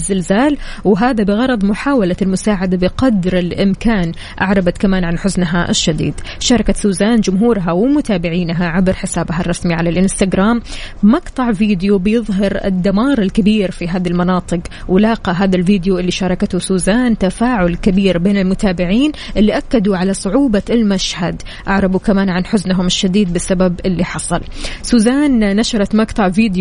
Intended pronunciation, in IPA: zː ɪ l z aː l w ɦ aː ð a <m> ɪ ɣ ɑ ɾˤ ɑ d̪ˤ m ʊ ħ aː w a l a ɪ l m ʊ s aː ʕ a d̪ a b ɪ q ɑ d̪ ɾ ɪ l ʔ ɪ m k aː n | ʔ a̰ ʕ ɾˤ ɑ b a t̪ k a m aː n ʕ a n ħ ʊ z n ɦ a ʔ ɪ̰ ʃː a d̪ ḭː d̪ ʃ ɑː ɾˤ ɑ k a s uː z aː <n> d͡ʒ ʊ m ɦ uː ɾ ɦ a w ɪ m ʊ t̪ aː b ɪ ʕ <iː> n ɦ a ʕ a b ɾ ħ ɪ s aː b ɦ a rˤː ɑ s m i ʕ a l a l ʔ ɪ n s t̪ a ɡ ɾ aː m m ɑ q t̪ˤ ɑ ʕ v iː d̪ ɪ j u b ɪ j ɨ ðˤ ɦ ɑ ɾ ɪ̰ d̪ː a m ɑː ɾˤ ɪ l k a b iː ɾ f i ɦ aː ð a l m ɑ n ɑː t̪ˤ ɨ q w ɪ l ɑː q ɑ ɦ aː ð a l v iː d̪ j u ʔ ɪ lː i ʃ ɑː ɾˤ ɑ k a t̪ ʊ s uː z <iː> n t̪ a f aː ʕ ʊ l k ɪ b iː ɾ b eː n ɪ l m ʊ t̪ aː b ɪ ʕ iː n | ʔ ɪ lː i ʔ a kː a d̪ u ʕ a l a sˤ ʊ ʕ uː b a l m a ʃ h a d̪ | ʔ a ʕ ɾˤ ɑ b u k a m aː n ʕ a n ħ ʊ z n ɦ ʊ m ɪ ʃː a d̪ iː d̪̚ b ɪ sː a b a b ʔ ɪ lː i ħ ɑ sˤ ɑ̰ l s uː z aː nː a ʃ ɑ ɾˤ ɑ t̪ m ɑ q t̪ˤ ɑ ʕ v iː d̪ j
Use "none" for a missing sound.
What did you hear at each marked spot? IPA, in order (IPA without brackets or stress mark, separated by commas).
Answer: b, n, iː, aː